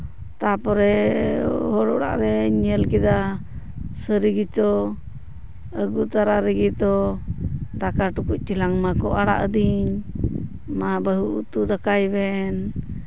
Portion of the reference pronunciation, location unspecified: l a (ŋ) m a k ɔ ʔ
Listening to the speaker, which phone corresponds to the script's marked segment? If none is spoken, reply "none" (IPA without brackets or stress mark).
ŋ